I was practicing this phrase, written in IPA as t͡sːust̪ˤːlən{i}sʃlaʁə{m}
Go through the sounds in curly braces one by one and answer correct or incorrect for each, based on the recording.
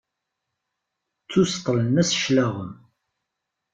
incorrect: æ, correct

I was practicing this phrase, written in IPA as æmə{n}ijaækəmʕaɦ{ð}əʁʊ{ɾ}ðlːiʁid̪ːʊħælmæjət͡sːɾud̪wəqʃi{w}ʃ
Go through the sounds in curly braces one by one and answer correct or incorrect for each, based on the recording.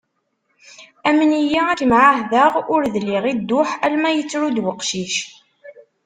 correct, correct, correct, incorrect: none

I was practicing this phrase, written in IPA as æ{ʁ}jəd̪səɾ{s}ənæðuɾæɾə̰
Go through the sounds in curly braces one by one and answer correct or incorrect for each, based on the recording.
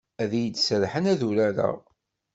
incorrect: ð, incorrect: ħ

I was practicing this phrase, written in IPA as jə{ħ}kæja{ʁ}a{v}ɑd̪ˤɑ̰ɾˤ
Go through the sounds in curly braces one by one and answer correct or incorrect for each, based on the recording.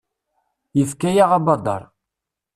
incorrect: f, correct, incorrect: b

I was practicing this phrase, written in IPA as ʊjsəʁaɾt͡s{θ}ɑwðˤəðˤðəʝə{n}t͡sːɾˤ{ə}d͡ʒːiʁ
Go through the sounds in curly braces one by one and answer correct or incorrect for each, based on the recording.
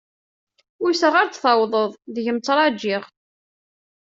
correct, incorrect: m, incorrect: ɑ

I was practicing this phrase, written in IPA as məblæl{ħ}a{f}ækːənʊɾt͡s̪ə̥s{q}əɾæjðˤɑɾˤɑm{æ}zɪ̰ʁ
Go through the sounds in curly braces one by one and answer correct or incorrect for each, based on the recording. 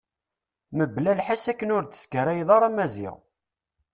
correct, incorrect: s, incorrect: k, correct

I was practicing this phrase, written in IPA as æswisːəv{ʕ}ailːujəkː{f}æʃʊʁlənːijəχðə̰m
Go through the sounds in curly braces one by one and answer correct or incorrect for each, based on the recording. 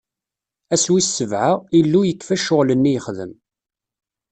correct, correct

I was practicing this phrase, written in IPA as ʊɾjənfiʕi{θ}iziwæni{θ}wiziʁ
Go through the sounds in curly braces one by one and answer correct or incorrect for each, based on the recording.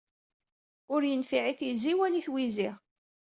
correct, correct

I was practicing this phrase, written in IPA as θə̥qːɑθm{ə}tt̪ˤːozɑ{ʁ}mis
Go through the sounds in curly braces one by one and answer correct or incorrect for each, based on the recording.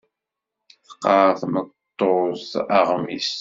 correct, correct

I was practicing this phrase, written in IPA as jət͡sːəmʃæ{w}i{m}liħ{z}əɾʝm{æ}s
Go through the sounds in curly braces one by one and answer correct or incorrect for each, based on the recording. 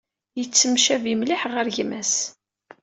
incorrect: v, correct, incorrect: ʁ, correct

